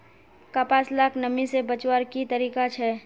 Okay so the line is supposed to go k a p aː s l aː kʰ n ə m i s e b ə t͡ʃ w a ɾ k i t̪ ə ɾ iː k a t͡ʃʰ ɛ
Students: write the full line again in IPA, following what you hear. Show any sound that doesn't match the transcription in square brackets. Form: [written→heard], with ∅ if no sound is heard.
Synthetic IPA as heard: k a p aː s l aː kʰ n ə m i s e b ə t͡ʃ w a ɾ k i t̪ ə ɾ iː k a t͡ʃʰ ɛ

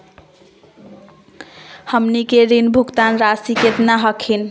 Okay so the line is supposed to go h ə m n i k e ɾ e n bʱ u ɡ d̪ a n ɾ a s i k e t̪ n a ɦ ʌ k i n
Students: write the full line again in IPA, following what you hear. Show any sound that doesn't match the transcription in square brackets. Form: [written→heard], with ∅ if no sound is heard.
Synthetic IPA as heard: h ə m n i k e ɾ [e→i] n bʱ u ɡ [d̪→t̪] a n ɾ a s i k e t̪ n a ɦ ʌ [k→kʰ] i n

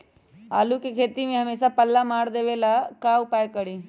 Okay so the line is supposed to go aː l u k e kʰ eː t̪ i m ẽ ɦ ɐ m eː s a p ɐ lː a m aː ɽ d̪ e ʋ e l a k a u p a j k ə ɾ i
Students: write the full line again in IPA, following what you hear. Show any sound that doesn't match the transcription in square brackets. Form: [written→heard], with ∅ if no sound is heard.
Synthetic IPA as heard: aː l u k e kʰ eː t̪ i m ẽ ɦ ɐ m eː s a p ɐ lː a m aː ɽ d̪ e ʋ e l a k a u p a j k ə [ɾ→ɽ] i

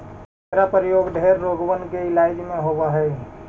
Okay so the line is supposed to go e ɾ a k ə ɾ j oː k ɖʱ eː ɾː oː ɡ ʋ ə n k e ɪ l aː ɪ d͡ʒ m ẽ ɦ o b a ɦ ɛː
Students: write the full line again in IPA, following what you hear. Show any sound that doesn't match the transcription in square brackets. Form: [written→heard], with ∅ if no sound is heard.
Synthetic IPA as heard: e ɾ a [k→p] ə ɾ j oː [k→ɡ] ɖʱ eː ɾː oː ɡ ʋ ə n k e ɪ l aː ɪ d͡ʒ m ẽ ɦ o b a ɦ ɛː

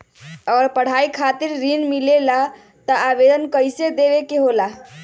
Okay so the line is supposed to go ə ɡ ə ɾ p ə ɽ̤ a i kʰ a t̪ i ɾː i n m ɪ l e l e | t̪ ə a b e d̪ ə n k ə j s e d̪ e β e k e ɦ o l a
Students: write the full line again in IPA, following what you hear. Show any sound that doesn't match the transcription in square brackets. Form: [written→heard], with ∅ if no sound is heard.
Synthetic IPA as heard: ə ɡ ə ɾ p ə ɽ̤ a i kʰ a t̪ i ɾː i n m [ɪ→i] l e l [e→a] | t̪ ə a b e d̪ ə n k ə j s e d̪ e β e k e ɦ o l a

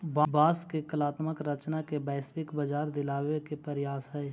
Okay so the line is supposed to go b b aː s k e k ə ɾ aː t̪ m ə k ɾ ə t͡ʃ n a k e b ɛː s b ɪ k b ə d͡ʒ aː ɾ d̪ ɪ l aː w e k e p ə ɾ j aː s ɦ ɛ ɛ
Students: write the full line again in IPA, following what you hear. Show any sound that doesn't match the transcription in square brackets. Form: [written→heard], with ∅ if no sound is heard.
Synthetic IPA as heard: b b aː s k e k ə [ɾ→l] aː t̪ m ə k ɾ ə t͡ʃ n a k e b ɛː s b ɪ k b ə d͡ʒ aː ɾ d̪ ɪ l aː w e k e p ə ɾ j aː s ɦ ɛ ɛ

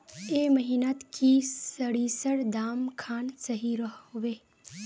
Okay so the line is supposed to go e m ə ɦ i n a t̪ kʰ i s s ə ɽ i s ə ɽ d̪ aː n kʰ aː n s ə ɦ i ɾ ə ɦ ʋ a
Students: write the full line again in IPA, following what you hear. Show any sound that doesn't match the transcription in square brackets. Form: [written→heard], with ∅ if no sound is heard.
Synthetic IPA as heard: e m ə ɦ i n a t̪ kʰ i s s ə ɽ i s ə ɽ d̪ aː [n→m] kʰ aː n s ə ɦ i ɾ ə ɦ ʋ [a→e]

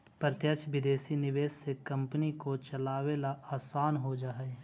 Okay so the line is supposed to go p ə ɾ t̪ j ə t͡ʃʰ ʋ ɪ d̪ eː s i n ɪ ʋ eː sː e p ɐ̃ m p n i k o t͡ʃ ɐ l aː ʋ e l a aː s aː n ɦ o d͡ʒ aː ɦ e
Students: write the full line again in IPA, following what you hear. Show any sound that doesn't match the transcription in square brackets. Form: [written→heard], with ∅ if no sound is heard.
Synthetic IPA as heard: p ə ɾ t̪ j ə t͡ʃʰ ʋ ɪ d̪ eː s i n ɪ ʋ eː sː e [p→k] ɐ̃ m p n i k o t͡ʃ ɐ l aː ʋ e l a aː s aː n ɦ o d͡ʒ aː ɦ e

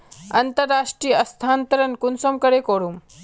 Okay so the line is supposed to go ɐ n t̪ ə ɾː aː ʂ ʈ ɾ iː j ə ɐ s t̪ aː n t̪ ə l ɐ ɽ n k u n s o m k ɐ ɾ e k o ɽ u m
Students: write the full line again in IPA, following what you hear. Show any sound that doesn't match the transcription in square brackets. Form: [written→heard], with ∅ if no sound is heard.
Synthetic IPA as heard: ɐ n t̪ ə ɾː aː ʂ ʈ ɾ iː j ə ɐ s [t̪→t̪ʰ] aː n t̪ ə [l→ɾ] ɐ [ɽ→∅] n k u n s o m k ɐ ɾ e k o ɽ u m

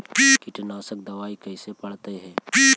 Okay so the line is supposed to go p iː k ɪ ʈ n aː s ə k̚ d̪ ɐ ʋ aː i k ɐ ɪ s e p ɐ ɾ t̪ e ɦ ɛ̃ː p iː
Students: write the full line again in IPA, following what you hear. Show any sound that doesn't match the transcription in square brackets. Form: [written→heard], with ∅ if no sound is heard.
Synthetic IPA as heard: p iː k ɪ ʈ n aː s ə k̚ d̪ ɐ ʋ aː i k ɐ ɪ s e p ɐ [ɾ→ɽ] t̪ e ɦ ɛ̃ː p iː

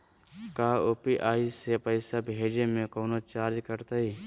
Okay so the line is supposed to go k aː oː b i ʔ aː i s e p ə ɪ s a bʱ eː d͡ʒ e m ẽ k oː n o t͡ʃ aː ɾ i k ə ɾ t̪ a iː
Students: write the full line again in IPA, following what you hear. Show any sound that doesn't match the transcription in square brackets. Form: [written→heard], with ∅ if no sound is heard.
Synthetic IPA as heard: k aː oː [b→p] i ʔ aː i s e p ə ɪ s a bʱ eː d͡ʒ e m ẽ k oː n o t͡ʃ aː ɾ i k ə ɾ t̪ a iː

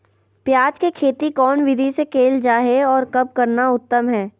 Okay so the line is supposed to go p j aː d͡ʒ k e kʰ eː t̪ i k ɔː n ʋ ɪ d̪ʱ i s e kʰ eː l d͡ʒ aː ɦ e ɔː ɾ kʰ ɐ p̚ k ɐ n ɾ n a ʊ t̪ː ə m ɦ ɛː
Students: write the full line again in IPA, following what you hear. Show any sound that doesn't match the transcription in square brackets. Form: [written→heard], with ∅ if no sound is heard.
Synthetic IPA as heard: p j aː d͡ʒ k e kʰ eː t̪ i k ɔː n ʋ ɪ d̪ʱ i s e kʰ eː l d͡ʒ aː ɦ e ɔː ɾ [kʰ→k] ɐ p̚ k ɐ [n→∅] ɾ n a ʊ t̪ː ə m ɦ ɛː

